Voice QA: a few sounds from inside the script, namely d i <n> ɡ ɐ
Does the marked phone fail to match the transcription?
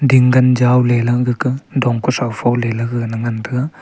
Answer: yes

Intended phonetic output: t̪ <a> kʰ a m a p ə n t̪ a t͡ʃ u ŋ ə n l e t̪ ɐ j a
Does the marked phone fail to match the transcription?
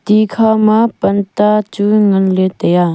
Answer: yes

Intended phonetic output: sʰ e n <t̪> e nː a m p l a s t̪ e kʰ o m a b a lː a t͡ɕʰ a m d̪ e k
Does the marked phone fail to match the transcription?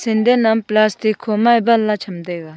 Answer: yes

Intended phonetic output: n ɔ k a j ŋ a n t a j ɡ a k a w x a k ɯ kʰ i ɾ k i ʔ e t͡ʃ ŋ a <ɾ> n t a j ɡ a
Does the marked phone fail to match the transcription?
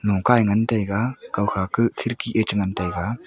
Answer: yes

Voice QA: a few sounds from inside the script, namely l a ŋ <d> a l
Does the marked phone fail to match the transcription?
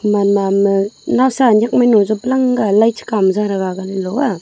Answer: yes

